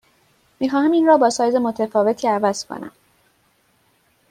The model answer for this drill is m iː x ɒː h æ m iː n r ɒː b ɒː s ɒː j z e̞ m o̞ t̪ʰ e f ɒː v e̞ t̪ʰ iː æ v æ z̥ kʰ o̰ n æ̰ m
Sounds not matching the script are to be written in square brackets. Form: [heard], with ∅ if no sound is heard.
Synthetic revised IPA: m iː x ɒː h æ m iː n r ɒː b ɒː s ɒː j z e̞ m o̞ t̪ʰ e f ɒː v e̞ t̪ʰ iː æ v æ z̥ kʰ o̰ n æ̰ m